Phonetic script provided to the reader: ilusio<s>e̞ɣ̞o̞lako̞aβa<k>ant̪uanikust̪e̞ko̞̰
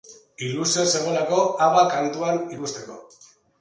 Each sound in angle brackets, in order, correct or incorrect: correct, correct

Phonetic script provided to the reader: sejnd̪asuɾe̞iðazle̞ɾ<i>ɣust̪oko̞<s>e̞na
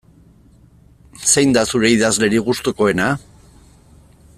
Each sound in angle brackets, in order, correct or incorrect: correct, incorrect

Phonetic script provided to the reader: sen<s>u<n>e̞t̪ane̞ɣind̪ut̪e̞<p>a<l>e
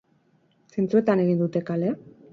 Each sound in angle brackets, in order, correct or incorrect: incorrect, incorrect, incorrect, correct

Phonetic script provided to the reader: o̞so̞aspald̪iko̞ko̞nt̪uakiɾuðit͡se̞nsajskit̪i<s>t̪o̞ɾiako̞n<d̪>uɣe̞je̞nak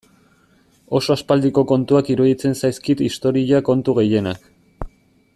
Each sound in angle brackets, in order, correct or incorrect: correct, incorrect

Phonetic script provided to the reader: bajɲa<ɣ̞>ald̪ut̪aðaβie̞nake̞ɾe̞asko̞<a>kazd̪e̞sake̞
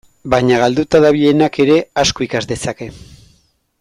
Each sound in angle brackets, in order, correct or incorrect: correct, incorrect

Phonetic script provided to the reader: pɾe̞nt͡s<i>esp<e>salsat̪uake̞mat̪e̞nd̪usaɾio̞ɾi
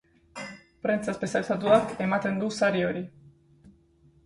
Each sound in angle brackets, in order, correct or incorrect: incorrect, correct

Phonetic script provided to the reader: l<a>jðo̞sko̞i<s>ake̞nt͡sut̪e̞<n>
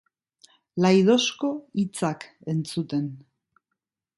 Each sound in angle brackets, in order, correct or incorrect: correct, incorrect, correct

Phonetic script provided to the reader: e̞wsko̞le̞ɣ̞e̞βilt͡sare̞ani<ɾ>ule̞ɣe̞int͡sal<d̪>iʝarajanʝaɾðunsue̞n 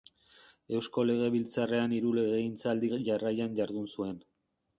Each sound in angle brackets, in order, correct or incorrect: correct, correct

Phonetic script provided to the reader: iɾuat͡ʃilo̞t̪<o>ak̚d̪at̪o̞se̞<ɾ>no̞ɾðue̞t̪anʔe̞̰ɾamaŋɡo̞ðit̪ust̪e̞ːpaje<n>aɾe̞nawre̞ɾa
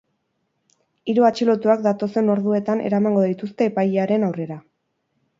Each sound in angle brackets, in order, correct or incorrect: incorrect, incorrect, incorrect

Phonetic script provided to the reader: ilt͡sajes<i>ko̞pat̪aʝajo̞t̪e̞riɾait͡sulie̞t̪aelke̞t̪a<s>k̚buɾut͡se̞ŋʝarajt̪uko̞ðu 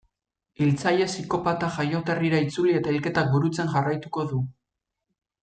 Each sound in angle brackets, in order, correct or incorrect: correct, incorrect

